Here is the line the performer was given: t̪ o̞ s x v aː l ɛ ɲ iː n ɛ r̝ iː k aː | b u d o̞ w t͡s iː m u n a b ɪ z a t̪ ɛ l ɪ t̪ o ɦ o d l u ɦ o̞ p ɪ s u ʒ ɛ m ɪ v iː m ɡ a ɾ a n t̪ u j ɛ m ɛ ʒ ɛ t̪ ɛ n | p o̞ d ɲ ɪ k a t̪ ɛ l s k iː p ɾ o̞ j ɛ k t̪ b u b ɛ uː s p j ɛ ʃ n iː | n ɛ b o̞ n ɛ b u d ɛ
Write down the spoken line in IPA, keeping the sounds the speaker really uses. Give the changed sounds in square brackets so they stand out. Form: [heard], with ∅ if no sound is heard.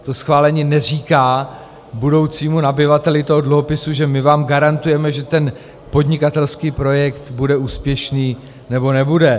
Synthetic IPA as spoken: t̪ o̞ s x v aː l ɛ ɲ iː n ɛ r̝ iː k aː | b u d o̞ w t͡s iː m u n a b ɪ [v] a t̪ ɛ l ɪ t̪ o ɦ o d l u ɦ o̞ p ɪ s u ʒ ɛ m ɪ v [aː] m ɡ a ɾ a n t̪ u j ɛ m ɛ ʒ ɛ t̪ ɛ n | p o̞ d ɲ ɪ k a t̪ ɛ l s k iː p ɾ o̞ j ɛ k t̪ b u [d] ɛ uː s p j ɛ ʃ n iː | n ɛ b o̞ n ɛ b u d ɛ